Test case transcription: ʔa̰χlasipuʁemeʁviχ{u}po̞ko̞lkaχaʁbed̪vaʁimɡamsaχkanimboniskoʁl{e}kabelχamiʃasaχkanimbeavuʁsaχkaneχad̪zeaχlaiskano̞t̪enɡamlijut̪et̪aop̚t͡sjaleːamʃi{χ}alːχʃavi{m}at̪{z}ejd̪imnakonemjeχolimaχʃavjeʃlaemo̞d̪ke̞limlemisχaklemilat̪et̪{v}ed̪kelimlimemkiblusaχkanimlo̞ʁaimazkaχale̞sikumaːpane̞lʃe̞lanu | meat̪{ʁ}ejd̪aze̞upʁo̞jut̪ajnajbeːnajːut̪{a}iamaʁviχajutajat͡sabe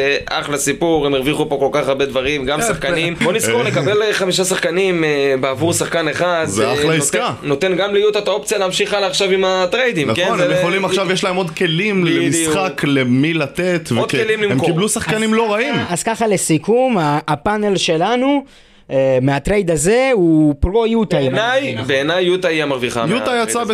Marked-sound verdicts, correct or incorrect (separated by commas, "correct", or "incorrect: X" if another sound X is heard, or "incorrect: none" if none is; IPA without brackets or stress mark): correct, correct, correct, correct, incorrect: ʁ, correct, correct, correct